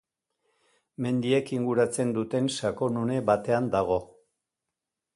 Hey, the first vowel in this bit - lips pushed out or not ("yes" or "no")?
no